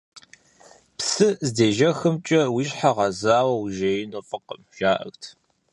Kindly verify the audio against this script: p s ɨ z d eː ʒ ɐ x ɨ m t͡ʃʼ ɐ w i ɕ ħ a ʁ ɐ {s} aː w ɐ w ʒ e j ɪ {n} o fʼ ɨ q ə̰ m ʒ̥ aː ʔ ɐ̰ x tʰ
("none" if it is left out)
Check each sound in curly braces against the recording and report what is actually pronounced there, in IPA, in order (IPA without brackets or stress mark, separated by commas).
z, n